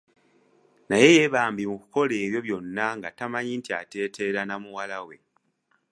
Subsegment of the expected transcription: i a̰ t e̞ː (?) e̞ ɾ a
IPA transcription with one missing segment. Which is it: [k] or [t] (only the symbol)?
t